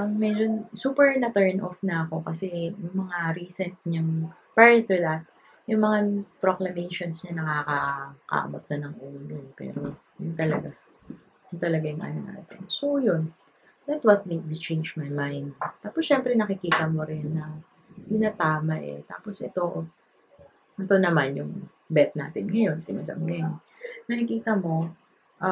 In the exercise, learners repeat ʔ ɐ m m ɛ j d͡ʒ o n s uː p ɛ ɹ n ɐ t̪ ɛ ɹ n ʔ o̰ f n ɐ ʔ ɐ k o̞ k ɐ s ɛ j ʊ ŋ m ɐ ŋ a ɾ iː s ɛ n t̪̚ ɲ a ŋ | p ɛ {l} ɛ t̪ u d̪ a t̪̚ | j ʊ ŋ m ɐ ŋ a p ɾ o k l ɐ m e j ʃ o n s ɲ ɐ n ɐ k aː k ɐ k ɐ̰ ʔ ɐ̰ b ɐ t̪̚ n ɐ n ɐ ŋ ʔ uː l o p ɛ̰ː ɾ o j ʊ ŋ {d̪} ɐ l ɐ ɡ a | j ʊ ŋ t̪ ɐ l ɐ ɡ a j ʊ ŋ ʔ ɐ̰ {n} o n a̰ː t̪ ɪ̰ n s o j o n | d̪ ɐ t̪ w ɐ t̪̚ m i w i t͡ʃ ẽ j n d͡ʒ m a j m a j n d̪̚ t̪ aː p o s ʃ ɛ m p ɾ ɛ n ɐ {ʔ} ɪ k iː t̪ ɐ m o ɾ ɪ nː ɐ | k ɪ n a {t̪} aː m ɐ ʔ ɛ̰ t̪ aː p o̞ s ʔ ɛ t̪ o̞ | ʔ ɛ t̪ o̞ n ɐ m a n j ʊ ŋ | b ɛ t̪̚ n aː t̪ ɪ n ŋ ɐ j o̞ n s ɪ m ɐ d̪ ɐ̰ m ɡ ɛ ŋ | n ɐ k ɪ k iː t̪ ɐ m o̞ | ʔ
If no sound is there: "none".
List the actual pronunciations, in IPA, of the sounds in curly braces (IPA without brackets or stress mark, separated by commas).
ɹ, t̪, n, k, t̪